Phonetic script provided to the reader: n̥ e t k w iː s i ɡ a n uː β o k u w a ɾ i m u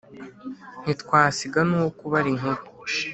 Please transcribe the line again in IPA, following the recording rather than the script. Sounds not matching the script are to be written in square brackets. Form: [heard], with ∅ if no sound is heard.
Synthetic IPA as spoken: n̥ [i] t k w [aː] s i ɡ a n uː [w] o k u [β] a ɾ i [ŋ] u